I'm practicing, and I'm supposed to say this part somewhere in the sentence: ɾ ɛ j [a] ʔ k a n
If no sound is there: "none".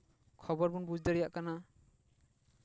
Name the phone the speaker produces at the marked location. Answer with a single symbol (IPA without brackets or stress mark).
a